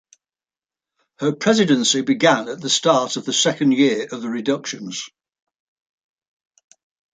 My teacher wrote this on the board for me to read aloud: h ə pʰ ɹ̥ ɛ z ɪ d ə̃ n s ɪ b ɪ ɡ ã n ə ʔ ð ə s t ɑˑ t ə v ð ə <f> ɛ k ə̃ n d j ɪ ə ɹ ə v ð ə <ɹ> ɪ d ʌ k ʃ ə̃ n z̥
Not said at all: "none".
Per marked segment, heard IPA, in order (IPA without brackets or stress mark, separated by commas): s, ɹ